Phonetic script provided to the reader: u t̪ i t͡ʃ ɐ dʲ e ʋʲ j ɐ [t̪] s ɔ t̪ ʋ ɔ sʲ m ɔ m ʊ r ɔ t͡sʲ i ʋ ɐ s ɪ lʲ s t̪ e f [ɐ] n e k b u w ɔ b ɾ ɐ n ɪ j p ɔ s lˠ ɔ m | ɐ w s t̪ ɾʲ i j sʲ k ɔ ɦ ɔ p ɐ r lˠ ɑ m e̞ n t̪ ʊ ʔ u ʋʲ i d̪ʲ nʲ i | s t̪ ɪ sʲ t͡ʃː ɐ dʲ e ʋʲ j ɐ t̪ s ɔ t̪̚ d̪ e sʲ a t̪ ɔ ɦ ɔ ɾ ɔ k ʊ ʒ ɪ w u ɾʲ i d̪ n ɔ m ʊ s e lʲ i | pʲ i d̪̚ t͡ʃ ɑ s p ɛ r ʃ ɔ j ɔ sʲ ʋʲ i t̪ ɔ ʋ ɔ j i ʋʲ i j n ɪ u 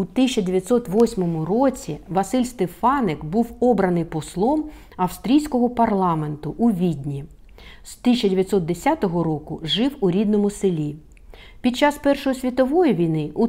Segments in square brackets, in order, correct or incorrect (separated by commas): correct, incorrect